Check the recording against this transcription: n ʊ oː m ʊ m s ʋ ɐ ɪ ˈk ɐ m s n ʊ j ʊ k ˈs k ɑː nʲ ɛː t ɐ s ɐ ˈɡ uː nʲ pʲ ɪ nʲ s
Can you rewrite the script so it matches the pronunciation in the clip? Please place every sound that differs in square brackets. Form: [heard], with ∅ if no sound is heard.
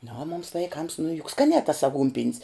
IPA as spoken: n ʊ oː m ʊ m s ʋ ɐ ɪ ˈk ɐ m s n ʊ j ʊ k ˈs k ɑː nʲ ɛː t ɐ s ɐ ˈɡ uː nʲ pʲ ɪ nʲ s